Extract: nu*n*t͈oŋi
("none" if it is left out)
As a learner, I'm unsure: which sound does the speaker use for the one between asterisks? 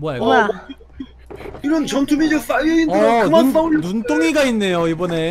n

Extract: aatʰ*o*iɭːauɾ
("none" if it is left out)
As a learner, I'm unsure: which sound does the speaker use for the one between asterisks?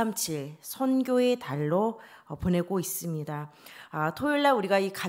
o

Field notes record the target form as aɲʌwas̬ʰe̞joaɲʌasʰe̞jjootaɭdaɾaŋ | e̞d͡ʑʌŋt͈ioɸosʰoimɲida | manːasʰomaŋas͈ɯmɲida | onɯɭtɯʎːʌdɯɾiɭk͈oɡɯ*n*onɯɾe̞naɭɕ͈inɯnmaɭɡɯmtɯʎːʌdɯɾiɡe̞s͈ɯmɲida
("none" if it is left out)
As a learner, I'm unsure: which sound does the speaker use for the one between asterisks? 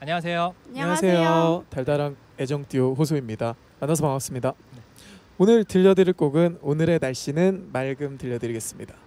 n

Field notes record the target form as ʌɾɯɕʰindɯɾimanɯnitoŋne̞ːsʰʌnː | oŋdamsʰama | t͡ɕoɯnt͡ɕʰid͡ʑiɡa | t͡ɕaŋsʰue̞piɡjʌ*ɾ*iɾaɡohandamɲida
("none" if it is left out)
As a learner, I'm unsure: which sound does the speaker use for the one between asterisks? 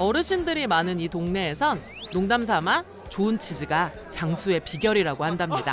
ɾ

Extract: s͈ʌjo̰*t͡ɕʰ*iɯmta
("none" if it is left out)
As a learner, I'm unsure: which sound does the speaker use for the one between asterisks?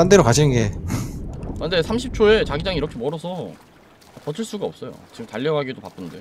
t͡ɕ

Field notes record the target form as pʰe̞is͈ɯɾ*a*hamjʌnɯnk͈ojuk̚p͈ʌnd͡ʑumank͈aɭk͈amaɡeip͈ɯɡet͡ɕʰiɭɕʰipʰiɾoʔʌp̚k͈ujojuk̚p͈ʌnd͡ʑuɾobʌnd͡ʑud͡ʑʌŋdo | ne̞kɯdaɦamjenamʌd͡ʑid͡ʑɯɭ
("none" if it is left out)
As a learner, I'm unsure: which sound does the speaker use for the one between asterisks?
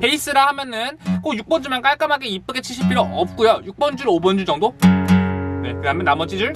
a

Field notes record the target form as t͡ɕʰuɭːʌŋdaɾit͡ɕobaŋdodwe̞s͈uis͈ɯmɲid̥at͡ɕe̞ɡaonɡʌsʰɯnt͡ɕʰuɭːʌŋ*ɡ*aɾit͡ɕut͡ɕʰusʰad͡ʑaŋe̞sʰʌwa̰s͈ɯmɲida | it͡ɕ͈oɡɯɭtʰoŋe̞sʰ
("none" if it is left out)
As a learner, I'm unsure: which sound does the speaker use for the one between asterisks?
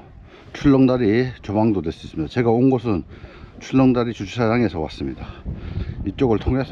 d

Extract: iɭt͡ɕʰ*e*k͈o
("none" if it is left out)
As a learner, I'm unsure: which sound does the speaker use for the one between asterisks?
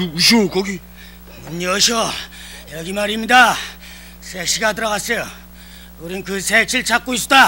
a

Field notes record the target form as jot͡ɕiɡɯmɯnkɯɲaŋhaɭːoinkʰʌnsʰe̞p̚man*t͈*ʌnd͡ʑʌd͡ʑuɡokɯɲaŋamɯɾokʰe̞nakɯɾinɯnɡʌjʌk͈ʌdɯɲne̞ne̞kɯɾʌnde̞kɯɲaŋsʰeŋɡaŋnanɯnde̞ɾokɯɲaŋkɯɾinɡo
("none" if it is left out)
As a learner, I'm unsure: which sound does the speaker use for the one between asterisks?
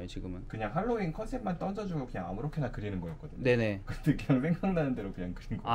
t͈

